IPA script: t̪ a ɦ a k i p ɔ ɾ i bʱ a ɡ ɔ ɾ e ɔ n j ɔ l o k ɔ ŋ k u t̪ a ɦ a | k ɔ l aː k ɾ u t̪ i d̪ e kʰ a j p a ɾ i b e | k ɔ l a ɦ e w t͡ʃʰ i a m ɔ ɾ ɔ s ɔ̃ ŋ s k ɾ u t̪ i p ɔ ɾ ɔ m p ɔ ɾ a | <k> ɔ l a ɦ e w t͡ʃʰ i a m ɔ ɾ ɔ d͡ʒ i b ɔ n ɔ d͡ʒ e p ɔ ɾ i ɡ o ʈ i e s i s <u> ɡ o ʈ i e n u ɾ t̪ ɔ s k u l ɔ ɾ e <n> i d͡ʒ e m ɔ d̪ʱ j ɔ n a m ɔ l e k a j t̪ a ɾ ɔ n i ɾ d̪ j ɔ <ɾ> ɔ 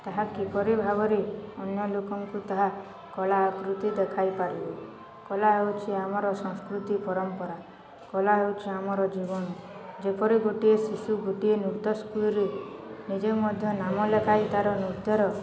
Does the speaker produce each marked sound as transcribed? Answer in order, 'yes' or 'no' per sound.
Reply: yes, yes, yes, yes

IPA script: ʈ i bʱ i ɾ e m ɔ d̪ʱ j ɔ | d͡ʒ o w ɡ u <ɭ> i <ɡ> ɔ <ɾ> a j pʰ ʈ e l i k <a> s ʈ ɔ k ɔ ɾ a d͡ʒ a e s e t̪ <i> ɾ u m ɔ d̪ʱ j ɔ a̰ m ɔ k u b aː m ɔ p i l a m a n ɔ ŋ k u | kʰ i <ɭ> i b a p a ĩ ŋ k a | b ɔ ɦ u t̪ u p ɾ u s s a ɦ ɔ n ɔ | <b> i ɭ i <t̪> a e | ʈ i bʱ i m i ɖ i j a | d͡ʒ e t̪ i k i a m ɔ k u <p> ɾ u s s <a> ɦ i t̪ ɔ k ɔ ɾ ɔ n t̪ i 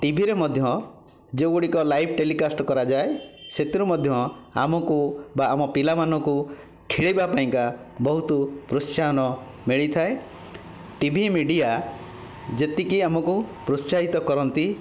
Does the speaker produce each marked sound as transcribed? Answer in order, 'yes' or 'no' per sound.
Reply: no, no, no, yes, yes, yes, no, no, yes, yes

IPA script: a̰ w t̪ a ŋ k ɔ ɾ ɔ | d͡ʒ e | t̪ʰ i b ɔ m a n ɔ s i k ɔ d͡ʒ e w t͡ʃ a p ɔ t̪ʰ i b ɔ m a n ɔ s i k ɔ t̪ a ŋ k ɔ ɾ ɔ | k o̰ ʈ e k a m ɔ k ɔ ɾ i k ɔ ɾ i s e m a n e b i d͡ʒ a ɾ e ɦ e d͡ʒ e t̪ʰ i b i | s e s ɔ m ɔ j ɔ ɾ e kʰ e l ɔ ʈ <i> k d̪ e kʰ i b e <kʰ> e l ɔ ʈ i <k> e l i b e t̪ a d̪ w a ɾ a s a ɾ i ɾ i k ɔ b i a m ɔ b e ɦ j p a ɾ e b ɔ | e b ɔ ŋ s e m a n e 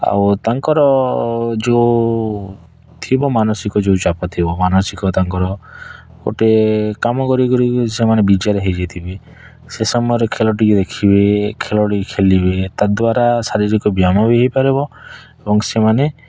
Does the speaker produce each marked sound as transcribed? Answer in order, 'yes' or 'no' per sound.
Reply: yes, yes, no

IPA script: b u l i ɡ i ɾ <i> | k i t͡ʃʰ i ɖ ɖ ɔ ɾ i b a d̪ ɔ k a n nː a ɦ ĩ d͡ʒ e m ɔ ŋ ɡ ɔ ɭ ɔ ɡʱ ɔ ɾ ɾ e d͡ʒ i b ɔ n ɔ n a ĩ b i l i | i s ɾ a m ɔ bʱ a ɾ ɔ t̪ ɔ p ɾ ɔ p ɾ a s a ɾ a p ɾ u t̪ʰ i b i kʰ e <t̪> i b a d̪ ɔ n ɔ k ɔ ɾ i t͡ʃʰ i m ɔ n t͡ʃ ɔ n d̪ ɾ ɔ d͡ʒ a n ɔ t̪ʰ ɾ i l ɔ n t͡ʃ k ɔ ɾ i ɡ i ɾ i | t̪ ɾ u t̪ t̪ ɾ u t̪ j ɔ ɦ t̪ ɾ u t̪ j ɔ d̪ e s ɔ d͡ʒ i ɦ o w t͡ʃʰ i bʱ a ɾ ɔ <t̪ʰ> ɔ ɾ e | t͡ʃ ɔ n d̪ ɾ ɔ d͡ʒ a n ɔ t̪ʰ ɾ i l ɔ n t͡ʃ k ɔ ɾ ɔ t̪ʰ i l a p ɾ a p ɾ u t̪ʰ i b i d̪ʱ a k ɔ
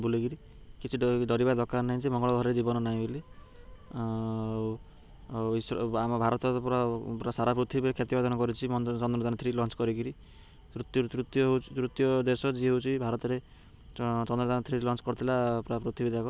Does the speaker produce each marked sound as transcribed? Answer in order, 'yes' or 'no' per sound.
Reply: yes, yes, no

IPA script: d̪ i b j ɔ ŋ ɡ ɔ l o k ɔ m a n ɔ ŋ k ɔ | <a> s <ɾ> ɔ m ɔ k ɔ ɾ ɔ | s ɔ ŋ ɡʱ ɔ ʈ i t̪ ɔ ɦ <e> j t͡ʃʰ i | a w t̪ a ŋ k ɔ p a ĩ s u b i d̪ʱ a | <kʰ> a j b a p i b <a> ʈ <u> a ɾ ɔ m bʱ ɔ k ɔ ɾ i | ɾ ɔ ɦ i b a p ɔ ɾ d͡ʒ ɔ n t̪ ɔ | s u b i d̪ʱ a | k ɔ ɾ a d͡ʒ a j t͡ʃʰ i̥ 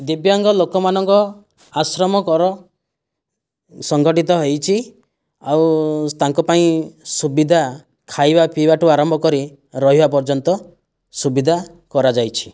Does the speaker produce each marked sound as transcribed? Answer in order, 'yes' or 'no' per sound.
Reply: yes, yes, yes, yes, yes, yes

